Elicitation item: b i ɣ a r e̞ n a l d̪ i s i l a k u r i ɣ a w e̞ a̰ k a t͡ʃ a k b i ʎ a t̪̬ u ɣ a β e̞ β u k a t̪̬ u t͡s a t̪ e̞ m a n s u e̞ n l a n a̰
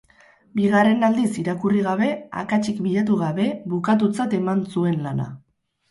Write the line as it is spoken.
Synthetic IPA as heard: b i ɣ a r e̞ n a l d̪ i s i ɾ a k u r i ɣ a β e̞ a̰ k a t͡ʃ i k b i ʎ a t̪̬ u ɣ a β e̞ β u k a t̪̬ u t͡s a t̪ e̞ m a n s u e̞ n l a n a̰